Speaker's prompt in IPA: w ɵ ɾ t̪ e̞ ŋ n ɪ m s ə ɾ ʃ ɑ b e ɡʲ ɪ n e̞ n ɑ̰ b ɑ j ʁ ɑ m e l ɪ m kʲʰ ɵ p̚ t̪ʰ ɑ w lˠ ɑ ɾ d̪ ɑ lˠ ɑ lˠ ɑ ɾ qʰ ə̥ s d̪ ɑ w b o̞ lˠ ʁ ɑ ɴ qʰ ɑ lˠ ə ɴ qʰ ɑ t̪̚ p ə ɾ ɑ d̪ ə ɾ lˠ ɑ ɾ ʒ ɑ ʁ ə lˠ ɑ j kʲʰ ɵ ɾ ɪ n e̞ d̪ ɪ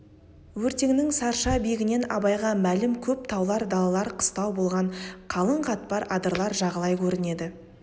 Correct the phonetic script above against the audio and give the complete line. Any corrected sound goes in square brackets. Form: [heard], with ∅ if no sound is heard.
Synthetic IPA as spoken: w ɵ ɾ t̪ e̞ ŋ n ɪ [ŋ] s [ɑ] ɾ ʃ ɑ b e ɡʲ ɪ n e̞ n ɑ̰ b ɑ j ʁ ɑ m [æ] l ɪ m kʲʰ ɵ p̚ t̪ʰ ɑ w lˠ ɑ ɾ d̪ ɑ lˠ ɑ lˠ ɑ ɾ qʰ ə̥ s [t̪] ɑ w b o̞ lˠ ʁ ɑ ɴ qʰ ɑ lˠ ə ɴ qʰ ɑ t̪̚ p [ɑ] ɾ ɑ d̪ ə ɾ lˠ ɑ ɾ ʒ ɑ ʁ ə lˠ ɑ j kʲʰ ɵ ɾ ɪ n e̞ d̪ ɪ

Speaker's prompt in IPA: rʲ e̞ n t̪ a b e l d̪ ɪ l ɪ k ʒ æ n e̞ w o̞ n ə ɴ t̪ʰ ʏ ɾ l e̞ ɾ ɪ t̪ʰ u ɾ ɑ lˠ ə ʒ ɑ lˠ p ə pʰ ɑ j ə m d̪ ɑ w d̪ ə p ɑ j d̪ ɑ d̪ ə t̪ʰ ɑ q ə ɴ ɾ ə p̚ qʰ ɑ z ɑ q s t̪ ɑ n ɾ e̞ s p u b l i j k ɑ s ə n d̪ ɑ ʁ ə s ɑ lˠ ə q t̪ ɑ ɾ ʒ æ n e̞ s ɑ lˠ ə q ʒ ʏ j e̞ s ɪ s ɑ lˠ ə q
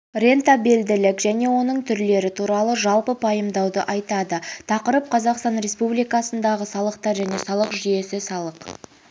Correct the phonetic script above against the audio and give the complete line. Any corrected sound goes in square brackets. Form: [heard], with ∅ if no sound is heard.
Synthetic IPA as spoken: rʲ e̞ n t̪ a b e l d̪ ɪ l ɪ k ʒ æ n e̞ w o̞ n ə ɴ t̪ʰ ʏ ɾ l e̞ ɾ ɪ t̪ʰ u ɾ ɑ lˠ ə ʒ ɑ lˠ p ə pʰ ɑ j ə m d̪ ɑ w d̪ ə [ʔ] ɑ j [t̪] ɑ d̪ ə t̪ʰ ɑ q ə [∅] ɾ ə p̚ qʰ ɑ z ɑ q s t̪ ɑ n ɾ e̞ s p u b l i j k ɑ s ə n d̪ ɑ ʁ ə s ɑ lˠ ə q t̪ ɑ ɾ ʒ æ n e̞ s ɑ lˠ ə q ʒ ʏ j e̞ s ɪ s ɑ lˠ ə q

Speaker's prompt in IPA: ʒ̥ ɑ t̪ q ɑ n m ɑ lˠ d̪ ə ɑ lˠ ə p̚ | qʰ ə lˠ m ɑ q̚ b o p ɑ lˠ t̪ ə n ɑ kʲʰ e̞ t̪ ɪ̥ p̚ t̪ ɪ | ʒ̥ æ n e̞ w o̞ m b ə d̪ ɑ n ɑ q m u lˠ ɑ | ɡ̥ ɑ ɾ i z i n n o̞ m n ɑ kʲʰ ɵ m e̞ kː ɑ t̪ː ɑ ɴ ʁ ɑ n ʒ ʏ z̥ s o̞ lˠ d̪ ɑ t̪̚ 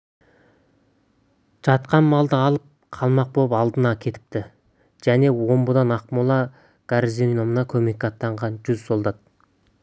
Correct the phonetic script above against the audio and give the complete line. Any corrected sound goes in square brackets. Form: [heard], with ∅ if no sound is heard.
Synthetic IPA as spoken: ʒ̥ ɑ t̪ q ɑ n m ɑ lˠ d̪ ə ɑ lˠ ə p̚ | qʰ [ɑ] lˠ m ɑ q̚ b o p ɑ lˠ [d̪] ə n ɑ kʲʰ e̞ t̪ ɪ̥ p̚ t̪ ɪ | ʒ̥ æ n e̞ w o̞ m b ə d̪ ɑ n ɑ q m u lˠ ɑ | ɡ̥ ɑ ɾ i z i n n o̞ m n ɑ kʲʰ ɵ m e̞ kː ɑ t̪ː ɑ ɴ ʁ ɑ n ʒ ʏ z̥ s o̞ lˠ d̪ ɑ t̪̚

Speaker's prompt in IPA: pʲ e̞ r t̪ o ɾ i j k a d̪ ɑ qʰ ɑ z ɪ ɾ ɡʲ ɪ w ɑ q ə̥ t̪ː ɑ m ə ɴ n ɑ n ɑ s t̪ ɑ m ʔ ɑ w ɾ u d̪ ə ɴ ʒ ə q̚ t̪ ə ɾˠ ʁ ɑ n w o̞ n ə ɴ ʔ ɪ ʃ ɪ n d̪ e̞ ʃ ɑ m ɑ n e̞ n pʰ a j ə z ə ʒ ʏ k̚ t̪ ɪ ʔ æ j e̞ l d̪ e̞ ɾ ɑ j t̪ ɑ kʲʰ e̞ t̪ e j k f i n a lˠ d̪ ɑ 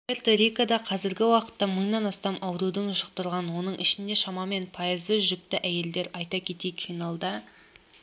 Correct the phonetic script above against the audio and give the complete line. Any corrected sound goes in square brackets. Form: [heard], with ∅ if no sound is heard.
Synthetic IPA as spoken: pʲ e̞ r t̪ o ɾ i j k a d̪ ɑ qʰ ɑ z ɪ ɾ ɡʲ ɪ w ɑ q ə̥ t̪ː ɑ m ə ɴ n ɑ n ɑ s t̪ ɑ m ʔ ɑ w ɾ u d̪ ə ɴ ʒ ə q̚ t̪ ə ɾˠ ʁ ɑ n w o̞ n ə ɴ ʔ ɪ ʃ ɪ n d̪ e̞ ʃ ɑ m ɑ [m] e̞ n pʰ [ɑ] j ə z ə ʒ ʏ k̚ t̪ ɪ ʔ æ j e̞ l d̪ e̞ ɾ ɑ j t̪ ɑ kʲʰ e̞ t̪ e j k f i n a lˠ d̪ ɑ

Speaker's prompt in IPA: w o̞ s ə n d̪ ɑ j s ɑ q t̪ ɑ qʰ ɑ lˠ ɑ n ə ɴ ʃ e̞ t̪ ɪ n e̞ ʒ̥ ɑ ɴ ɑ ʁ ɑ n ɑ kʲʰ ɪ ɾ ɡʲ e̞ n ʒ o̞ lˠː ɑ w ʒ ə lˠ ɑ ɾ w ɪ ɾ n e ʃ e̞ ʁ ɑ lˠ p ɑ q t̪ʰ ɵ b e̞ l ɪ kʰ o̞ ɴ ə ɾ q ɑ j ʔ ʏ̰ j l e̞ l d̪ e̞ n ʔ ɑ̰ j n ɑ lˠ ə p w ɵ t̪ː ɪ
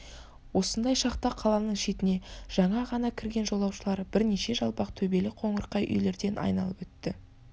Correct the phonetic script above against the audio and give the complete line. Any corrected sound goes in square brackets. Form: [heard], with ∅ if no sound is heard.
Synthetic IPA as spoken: w o̞ s ə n d̪ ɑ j [ʃ] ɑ q t̪ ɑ qʰ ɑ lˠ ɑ n ə ɴ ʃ e̞ t̪ ɪ n e̞ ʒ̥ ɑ ɴ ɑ ʁ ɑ n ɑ kʲʰ ɪ ɾ ɡʲ e̞ n ʒ o̞ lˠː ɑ w [ʃ] ə lˠ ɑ ɾ [b] ɪ ɾ n e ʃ e̞ [ʒ] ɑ lˠ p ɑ q t̪ʰ ɵ b e̞ l ɪ [qʰ] o̞ ɴ ə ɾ q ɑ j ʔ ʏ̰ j l e̞ [ɾ] d̪ e̞ n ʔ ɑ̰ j n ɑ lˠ ə p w ɵ t̪ː ɪ

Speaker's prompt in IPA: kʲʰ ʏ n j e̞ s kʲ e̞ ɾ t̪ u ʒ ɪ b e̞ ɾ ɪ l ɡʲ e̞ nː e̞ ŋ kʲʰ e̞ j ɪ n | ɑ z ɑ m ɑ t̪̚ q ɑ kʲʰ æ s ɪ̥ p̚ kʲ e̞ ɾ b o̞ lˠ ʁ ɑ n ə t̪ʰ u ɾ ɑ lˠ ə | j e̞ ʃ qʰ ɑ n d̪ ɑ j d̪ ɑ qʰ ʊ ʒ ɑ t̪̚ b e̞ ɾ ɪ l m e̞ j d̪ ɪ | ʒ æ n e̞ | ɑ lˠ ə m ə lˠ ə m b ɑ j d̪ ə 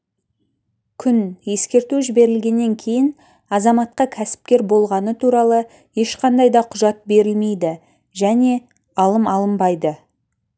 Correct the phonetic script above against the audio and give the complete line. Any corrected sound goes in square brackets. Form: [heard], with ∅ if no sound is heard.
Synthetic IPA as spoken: kʲʰ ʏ n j e̞ s kʲ e̞ ɾ t̪ u ʒ ɪ b e̞ ɾ ɪ l ɡʲ e̞ nː e̞ ŋ kʲʰ e̞ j ɪ n | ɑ z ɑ m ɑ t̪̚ q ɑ kʲʰ æ s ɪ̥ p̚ kʲ e̞ ɾ b o̞ lˠ ʁ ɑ n ə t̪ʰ u ɾ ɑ lˠ ə | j e̞ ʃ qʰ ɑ n d̪ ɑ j d̪ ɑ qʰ ʊ ʒ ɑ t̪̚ b e̞ ɾ ɪ l m e̞ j d̪ ɪ | ʒ æ n e̞ | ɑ lˠ ə m [ɑ] lˠ ə m b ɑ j d̪ ə

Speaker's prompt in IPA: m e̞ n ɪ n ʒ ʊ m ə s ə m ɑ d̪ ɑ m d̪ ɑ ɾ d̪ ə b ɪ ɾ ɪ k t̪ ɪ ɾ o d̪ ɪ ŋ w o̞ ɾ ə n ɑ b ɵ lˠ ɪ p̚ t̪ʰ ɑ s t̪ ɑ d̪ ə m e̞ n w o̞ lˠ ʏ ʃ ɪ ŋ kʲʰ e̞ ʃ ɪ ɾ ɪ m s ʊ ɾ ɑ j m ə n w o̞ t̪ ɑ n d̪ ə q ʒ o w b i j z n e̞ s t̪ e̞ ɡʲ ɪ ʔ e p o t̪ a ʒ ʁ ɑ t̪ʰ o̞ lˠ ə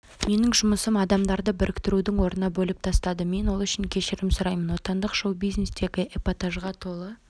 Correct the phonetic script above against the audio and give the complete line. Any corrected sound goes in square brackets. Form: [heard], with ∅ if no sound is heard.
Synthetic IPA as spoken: m e̞ n ɪ [ŋ] ʒ ʊ m ə s ə m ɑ d̪ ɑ m d̪ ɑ ɾ d̪ ə b ɪ ɾ ɪ k t̪ ɪ ɾ [u] d̪ ɪ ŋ w o̞ ɾ ə n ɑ b ɵ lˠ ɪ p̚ t̪ʰ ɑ s t̪ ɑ d̪ ə m e̞ n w o̞ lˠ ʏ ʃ ɪ ŋ kʲʰ e̞ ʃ ɪ ɾ ɪ m s ʊ ɾ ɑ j m ə n w o̞ t̪ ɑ n d̪ ə q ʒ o w b i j z n e̞ s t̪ e̞ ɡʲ ɪ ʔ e p o t̪ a ʒ ʁ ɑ t̪ʰ o̞ lˠ ə

